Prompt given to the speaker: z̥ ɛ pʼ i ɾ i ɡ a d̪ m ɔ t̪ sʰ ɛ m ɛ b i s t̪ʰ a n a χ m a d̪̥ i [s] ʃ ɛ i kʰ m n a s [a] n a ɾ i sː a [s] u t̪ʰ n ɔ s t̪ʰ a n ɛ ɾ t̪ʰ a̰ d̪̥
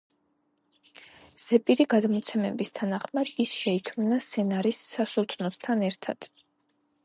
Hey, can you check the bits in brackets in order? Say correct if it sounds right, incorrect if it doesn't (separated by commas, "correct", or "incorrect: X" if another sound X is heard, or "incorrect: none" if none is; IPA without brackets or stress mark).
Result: correct, incorrect: ɛ, correct